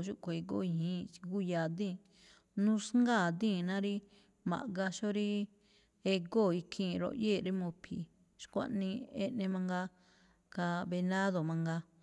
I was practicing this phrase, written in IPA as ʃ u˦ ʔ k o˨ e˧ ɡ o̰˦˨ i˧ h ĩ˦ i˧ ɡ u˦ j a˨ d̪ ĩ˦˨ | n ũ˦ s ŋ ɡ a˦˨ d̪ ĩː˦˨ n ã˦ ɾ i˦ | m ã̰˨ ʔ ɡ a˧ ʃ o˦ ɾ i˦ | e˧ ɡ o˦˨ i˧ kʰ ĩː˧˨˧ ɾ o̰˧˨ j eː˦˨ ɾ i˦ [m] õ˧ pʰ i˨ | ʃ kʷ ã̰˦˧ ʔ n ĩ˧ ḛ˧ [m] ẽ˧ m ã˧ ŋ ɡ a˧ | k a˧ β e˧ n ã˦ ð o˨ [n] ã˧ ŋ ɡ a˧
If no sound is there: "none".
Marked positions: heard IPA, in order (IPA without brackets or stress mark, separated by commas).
m, n, m